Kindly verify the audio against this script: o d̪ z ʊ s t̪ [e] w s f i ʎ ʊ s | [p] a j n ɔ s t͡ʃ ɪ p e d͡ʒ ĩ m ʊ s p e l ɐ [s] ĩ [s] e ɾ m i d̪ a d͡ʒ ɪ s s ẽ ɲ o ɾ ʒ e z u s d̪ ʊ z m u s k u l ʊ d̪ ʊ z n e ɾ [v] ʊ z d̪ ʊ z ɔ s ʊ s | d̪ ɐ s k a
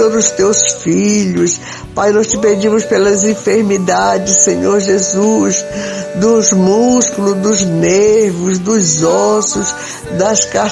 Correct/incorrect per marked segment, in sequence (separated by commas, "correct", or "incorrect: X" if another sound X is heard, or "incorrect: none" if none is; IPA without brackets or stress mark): correct, correct, incorrect: z, incorrect: f, correct